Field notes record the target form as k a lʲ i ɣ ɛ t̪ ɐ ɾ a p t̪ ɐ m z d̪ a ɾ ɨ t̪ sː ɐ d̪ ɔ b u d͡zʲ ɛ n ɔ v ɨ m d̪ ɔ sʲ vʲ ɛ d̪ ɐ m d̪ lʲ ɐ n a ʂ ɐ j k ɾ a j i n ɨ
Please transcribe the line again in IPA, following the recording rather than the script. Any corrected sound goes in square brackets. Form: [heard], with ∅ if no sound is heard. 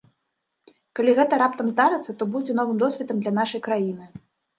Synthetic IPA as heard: k a lʲ i ɣ ɛ t̪ ɐ ɾ a p t̪ ɐ m z d̪ a ɾ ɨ t̪ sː ɐ [t̪] ɔ b u d͡zʲ ɛ n ɔ v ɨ m d̪ ɔ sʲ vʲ ɛ [t̪] ɐ m d̪ lʲ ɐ n a ʂ ɐ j k ɾ a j i n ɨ

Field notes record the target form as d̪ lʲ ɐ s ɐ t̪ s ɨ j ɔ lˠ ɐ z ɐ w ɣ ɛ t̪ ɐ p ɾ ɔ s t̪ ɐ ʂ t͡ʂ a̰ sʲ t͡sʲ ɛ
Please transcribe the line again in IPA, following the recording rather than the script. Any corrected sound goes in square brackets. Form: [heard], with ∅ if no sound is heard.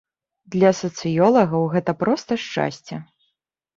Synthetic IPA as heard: d̪ lʲ ɐ s ɐ t̪ s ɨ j ɔ lˠ ɐ [ɣ] ɐ w ɣ ɛ t̪ ɐ p ɾ ɔ s t̪ ɐ ʂ t͡ʂ a̰ sʲ t͡sʲ ɛ

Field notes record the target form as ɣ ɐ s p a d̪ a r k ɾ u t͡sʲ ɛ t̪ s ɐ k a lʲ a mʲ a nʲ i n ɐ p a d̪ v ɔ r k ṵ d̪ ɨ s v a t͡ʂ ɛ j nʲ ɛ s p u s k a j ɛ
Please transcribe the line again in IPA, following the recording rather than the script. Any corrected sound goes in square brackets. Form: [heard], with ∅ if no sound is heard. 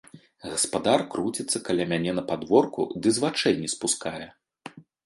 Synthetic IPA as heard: ɣ ɐ s p a d̪ a r k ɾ u t͡sʲ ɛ t̪ [sː] ɐ k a lʲ a mʲ a nʲ [ɛ] n ɐ p a d̪ v ɔ r k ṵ d̪ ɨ [z] v a t͡ʂ ɛ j nʲ ɛ s p u s k a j ɛ

